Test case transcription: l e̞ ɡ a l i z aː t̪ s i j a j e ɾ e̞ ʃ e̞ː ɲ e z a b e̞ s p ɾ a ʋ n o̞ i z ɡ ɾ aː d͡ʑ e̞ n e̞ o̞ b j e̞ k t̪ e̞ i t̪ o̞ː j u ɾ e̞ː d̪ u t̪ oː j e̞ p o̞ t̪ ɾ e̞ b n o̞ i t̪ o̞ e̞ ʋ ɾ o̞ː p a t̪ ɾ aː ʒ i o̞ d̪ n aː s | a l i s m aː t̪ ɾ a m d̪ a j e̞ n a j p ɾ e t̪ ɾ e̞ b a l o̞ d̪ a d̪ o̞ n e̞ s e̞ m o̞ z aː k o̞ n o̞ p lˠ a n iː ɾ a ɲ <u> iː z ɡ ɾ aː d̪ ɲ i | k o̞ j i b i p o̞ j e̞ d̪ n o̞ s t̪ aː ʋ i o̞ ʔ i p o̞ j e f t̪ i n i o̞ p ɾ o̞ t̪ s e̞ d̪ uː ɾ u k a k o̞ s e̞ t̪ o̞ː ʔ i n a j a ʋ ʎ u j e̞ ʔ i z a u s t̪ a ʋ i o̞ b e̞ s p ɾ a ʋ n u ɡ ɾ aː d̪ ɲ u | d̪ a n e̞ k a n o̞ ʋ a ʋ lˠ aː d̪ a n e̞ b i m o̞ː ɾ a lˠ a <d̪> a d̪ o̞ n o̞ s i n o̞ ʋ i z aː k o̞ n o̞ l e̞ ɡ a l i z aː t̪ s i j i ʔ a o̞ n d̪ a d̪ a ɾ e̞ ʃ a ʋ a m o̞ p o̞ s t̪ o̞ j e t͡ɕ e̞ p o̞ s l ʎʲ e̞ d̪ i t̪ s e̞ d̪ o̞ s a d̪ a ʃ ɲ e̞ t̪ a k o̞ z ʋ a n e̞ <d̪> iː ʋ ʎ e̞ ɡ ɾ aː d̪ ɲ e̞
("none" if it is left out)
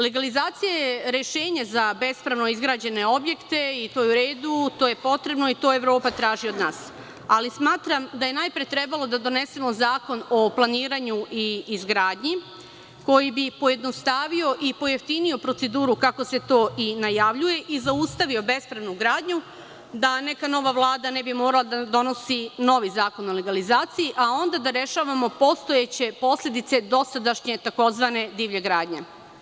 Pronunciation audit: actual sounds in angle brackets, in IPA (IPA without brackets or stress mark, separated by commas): u, d̪, d̪